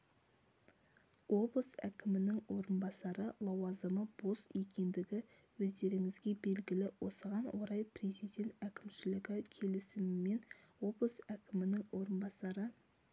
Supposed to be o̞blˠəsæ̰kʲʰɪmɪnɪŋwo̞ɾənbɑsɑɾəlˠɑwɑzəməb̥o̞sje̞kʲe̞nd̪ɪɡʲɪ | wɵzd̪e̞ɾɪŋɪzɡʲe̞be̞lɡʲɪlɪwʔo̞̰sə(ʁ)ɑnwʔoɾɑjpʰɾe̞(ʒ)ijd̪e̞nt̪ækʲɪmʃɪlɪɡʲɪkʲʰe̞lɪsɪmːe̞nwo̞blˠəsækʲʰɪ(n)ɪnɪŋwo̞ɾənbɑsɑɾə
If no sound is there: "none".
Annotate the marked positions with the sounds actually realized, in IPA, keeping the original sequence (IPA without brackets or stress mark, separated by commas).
ʁ, z, m